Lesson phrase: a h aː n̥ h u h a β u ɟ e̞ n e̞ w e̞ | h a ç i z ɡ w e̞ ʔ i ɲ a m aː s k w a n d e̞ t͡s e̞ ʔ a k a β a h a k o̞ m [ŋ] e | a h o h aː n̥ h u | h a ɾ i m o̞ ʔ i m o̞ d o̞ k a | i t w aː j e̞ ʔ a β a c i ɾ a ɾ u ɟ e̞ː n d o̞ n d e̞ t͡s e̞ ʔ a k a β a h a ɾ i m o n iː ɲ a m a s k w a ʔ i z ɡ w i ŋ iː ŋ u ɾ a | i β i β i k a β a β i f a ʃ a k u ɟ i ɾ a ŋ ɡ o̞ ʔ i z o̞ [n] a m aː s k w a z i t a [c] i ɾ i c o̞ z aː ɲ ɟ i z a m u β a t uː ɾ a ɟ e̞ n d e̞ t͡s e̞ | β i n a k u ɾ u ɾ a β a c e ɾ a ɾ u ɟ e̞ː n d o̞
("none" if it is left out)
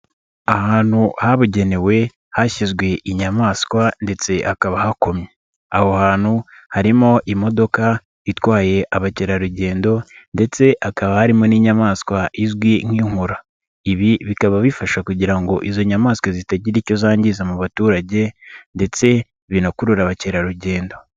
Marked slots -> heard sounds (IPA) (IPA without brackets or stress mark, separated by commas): ɲ, ɲ, ɟ